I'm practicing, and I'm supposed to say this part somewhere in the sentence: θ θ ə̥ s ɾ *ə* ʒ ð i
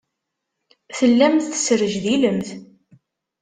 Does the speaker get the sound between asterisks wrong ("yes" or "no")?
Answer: no